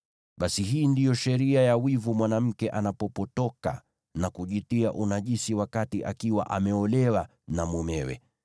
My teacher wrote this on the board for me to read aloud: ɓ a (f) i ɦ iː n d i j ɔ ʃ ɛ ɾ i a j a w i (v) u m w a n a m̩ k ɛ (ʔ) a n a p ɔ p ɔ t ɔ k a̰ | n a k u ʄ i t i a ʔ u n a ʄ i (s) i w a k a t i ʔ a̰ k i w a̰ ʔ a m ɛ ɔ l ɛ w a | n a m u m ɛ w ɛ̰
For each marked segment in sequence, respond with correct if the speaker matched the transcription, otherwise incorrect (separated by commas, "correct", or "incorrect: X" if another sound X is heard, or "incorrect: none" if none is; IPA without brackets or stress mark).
incorrect: s, correct, correct, correct